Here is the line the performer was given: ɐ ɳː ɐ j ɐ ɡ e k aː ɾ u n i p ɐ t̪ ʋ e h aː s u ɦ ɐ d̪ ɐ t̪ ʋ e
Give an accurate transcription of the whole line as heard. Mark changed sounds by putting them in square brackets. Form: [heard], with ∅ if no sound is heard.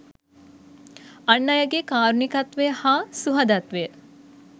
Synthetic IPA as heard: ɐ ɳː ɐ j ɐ ɡ e k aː ɾ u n i [k] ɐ t̪ ʋ e h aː s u ɦ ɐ d̪ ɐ t̪ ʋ e